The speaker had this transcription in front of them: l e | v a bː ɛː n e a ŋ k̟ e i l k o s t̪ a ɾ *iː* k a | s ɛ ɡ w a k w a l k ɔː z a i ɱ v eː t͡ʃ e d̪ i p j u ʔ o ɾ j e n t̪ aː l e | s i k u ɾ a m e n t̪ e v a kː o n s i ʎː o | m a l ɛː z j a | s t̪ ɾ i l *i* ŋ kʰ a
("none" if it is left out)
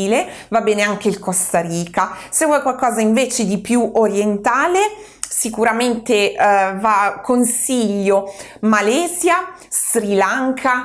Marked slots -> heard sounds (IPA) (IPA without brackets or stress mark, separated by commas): iː, a